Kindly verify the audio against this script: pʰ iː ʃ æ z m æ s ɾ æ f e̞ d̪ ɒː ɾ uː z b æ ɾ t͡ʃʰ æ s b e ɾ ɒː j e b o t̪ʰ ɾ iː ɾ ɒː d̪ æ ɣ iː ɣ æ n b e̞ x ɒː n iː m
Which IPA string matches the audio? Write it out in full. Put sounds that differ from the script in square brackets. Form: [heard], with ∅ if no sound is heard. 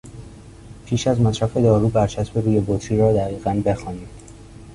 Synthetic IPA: pʰ iː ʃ æ z m æ s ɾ æ f e̞ d̪ ɒː ɾ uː [∅] b æ ɾ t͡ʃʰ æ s b e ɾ [uː] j e b o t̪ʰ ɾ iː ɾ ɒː d̪ æ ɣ iː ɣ æ n b e̞ x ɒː n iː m